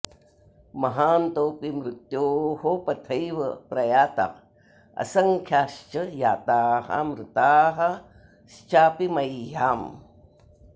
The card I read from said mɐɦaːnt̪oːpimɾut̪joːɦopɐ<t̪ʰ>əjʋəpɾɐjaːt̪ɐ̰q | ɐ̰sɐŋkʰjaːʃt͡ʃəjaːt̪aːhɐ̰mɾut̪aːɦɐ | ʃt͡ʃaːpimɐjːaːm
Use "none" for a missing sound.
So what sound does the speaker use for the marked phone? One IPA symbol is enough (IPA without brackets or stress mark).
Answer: t̪ʰ